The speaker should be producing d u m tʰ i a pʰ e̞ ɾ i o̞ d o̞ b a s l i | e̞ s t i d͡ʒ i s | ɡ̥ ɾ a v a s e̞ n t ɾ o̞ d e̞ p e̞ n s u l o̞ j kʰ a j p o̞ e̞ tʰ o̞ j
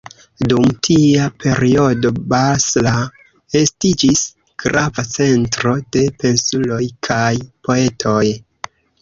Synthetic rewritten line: d u m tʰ i a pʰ e̞ ɾ i o̞ d o̞ b a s l a | e̞ s t i d͡ʒ i s | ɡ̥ ɾ a v a t͡s e̞ n t ɾ o̞ d e̞ p e̞ n s u l o̞ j kʰ a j p o̞ e̞ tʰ o̞ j